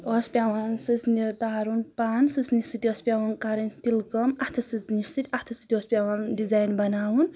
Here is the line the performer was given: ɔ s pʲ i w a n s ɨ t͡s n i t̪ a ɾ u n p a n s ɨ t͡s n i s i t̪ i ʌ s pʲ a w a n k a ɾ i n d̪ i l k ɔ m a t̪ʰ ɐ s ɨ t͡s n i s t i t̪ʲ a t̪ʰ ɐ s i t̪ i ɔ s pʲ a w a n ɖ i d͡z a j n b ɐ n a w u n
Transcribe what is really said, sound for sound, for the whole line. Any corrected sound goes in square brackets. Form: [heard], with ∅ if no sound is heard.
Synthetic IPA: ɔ s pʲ [a] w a n s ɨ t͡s n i t̪ a ɾ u n p a n s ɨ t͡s n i s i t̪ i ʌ s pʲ a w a n k a ɾ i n [t̪] i l k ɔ m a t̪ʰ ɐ s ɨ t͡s n i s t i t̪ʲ a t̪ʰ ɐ s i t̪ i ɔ s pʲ a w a n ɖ i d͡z a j n b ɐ n a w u n

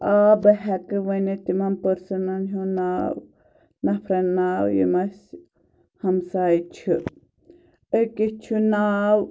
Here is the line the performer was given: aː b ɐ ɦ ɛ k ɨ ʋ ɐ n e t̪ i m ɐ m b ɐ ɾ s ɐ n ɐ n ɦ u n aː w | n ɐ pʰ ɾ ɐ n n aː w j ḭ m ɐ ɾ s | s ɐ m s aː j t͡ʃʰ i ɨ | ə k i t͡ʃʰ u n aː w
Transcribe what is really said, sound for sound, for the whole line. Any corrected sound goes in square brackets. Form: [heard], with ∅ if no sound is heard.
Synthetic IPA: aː b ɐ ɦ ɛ k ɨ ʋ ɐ n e t̪ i m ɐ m [p] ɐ ɾ s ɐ n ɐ n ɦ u n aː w | n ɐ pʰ ɾ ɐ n n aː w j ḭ m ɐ [∅] s | [h] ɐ m s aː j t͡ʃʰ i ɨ | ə k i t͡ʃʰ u n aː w

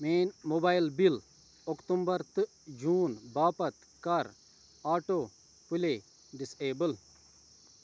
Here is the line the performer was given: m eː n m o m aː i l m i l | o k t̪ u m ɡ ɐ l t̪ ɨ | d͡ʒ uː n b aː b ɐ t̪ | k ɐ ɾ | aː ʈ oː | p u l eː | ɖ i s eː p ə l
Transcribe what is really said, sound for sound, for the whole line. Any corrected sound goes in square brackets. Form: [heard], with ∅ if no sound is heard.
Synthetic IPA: m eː n m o [b] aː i l [b] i l | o k t̪ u m [b] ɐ [ɾ] t̪ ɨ | d͡ʒ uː n b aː [p] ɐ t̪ | k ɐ ɾ | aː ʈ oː | p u l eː | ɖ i s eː [b] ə l

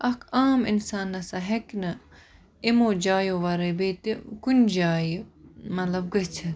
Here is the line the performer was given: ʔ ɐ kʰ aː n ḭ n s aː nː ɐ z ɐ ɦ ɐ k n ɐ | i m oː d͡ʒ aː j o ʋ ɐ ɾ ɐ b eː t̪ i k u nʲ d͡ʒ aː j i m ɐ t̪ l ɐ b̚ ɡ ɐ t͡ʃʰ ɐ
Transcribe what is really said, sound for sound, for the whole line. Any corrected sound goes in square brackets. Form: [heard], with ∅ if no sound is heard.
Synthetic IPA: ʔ ɐ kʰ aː [m] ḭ n s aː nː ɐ [s] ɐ ɦ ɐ k n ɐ | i m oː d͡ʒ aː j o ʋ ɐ ɾ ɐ b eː t̪ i k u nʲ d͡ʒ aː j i m ɐ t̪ l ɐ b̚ ɡ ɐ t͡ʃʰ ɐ

